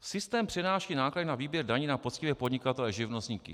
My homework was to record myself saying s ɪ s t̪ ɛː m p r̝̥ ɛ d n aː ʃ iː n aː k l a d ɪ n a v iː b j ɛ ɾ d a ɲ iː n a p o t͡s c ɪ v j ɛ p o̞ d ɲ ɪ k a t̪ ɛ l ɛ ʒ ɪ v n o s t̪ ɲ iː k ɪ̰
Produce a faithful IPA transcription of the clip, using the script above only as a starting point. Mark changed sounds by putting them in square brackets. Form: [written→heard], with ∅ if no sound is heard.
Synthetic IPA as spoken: s ɪ s t̪ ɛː m p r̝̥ ɛ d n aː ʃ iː n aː k l a d ɪ n a v iː b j ɛ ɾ d a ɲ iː n a p o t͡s c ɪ v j ɛ p o̞ d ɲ ɪ k a t̪ ɛ l ɛ ʒ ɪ v n o s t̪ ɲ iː k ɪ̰